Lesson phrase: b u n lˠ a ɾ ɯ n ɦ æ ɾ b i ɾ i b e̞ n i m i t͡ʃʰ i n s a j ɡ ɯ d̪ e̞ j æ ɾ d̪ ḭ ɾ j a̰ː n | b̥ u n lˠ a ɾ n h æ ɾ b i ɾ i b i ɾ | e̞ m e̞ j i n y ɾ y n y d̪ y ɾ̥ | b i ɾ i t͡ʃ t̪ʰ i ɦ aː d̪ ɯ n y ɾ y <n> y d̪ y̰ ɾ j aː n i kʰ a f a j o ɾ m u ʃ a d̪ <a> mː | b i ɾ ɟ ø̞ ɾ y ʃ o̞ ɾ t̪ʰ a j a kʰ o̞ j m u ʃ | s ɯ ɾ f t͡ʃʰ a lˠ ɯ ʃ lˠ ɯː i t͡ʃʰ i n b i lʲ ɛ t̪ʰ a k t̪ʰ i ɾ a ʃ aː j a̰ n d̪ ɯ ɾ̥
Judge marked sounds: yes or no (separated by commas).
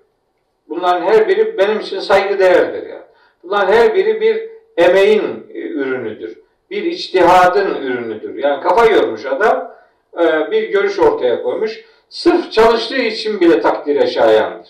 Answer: yes, yes